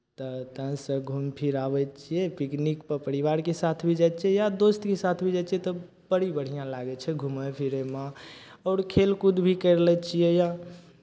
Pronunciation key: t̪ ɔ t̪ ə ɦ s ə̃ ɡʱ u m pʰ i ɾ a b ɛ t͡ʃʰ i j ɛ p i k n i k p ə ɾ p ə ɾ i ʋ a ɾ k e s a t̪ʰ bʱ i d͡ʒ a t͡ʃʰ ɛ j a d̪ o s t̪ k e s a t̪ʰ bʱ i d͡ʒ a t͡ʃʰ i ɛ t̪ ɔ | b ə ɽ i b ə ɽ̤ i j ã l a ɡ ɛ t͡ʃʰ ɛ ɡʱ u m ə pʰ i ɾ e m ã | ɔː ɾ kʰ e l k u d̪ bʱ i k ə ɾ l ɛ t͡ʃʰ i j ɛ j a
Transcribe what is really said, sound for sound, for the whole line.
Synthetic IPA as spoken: t̪ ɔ t̪ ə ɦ s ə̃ ɡʱ u m pʰ i ɾ a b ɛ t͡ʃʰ i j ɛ p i k n i k p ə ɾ p ə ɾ i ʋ a ɾ k e s a t̪ʰ bʱ i d͡ʒ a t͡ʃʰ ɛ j a d̪ o s t̪ k e s a t̪ʰ bʱ i d͡ʒ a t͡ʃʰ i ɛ t̪ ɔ | b ə ɽ i b ə ɽ̤ i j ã l a ɡ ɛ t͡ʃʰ ɛ ɡʱ u m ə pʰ i ɾ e m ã | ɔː ɾ kʰ e l k u d̪ bʱ i k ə ɾ l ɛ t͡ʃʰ i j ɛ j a